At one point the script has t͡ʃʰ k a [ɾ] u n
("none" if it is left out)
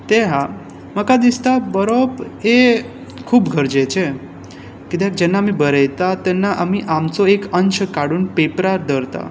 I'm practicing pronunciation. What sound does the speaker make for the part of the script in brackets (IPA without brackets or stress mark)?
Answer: ɽ